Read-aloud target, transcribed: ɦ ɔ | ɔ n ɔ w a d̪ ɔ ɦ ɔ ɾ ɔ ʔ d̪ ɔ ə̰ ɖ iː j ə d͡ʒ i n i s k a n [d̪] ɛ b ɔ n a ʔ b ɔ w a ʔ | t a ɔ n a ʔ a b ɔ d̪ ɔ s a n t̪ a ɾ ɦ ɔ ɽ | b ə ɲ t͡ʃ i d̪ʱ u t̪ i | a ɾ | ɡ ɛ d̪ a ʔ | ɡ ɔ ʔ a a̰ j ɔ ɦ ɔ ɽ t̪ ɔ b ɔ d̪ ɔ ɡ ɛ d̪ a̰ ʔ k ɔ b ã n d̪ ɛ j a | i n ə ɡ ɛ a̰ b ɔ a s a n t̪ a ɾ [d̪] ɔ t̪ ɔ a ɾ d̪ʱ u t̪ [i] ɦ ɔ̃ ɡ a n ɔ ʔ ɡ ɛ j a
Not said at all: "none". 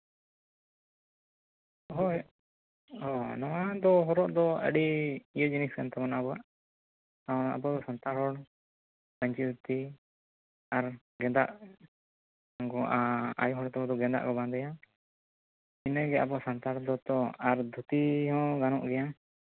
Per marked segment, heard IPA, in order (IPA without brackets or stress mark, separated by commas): t̪, d̪, i